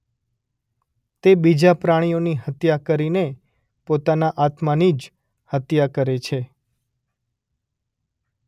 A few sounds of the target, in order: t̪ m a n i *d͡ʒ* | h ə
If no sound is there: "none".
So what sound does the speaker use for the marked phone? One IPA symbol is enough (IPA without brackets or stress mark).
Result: d͡ʒ